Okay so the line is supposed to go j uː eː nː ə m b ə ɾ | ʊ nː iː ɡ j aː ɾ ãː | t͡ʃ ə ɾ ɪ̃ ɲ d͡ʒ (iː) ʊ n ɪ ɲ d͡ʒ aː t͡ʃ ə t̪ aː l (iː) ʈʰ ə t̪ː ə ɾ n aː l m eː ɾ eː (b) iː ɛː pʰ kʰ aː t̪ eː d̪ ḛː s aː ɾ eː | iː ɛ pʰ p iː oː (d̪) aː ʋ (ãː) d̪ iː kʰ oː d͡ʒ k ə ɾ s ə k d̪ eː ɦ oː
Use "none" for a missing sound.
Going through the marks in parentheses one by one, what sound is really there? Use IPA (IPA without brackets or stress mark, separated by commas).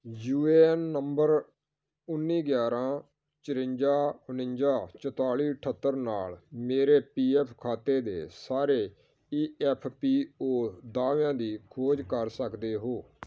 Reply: aː, iː, p, d̪, ãː